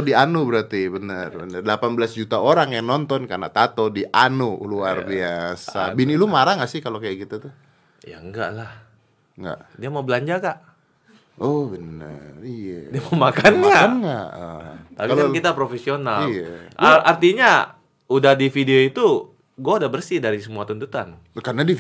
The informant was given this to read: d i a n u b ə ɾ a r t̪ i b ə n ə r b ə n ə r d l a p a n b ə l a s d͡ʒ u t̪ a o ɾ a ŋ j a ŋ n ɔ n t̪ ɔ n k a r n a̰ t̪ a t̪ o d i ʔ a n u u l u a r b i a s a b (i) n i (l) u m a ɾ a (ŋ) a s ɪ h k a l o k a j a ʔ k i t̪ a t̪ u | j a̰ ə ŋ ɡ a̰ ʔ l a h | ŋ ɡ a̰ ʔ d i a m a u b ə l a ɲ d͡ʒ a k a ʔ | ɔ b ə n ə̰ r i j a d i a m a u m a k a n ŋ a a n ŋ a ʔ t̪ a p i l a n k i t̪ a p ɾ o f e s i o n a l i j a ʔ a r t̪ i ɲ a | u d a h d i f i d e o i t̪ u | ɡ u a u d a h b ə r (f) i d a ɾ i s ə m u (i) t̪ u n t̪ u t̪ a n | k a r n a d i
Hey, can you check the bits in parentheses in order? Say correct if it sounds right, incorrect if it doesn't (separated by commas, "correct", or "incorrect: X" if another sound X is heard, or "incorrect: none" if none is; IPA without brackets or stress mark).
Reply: correct, correct, correct, incorrect: s, incorrect: a